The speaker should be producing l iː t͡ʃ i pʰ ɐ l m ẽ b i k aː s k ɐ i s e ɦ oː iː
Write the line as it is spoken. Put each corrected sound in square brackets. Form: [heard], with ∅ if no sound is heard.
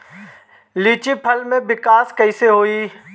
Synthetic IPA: l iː t͡ʃ i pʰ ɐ l m ẽ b [ɪ] k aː s k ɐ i s e ɦ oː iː